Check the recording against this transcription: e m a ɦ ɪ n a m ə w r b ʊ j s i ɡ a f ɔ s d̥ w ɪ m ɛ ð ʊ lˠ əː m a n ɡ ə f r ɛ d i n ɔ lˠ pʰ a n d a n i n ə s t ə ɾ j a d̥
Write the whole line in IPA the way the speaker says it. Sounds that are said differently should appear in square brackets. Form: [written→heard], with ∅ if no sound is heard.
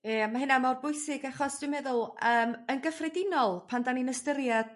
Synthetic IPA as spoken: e m a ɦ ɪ n a m [ə→a] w r b ʊ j s [i→ɪ] ɡ a [f→χ] ɔ s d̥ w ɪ m ɛ ð ʊ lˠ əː m [a→ə] n ɡ ə f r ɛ d [i→ɪ] n ɔ lˠ pʰ a n d a n i n ə s t ə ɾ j a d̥